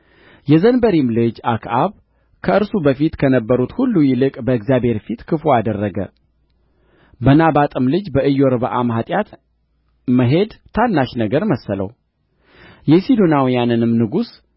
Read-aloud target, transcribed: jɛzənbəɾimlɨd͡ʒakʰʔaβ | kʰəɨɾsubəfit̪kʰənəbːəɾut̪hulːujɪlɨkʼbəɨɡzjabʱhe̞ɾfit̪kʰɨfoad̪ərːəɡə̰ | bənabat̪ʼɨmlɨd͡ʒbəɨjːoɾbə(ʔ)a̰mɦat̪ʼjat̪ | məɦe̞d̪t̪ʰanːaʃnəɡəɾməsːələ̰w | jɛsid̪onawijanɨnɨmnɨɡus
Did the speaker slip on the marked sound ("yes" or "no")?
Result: no